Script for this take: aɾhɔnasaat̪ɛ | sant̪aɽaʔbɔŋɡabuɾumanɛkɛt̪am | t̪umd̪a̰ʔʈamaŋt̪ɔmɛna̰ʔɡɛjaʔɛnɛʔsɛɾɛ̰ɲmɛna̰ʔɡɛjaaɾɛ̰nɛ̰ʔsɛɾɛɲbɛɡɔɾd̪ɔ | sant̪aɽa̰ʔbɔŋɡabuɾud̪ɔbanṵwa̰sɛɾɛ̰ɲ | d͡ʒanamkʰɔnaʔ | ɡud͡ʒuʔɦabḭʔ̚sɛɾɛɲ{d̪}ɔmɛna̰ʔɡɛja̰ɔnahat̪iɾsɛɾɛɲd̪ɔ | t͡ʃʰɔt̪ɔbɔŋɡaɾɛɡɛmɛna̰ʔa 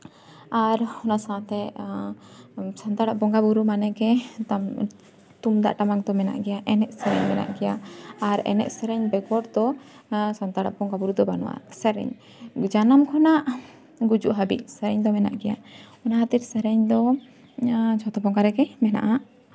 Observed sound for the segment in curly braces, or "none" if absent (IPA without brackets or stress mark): d̪